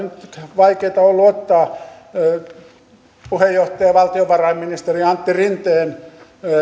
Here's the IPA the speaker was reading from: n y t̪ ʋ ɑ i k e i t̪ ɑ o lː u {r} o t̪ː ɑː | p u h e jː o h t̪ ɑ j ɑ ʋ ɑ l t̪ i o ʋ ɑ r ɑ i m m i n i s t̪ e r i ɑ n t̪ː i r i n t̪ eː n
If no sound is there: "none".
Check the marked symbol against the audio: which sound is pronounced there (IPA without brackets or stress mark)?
none